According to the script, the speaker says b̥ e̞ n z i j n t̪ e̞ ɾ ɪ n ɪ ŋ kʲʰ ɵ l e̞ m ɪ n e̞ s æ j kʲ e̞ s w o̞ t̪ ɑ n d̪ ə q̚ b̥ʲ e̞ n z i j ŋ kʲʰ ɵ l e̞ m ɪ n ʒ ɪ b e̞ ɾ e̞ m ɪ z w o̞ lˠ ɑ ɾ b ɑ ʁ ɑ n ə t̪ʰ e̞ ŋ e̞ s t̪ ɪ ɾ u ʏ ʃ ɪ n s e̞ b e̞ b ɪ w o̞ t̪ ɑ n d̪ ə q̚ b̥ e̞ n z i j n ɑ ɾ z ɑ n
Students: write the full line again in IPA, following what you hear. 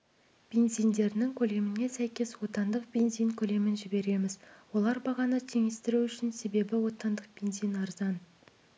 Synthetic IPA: b̥ e̞ n z i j n d̪ e̞ ɾ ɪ n ɪ ŋ kʲʰ ɵ l e̞ m ɪ n e̞ s æ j kʲ e̞ s w o̞ t̪ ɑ n d̪ ə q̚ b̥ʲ e̞ n z i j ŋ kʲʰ ɵ l e̞ m ɪ n ʒ ɪ b e̞ ɾ e̞ m ɪ z w o̞ lˠ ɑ ɾ b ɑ ʁ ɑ n ə t̪ʰ e̞ ŋ e̞ s t̪ ɪ ɾ u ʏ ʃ ɪ n s e̞ b e̞ b ɪ w o̞ t̪ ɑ n d̪ ə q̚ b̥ e̞ n z i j n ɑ ɾ z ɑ n